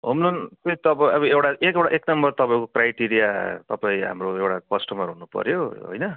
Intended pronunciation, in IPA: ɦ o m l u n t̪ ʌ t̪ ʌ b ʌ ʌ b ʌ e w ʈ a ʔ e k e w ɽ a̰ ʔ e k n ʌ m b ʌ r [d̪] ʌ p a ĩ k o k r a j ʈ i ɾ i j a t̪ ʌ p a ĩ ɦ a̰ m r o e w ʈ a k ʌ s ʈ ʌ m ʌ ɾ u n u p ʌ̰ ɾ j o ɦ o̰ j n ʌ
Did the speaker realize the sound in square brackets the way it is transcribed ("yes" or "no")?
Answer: no